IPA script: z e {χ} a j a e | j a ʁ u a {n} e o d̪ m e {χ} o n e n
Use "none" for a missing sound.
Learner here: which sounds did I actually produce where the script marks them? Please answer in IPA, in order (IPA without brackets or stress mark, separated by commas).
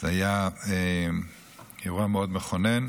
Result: none, m, χ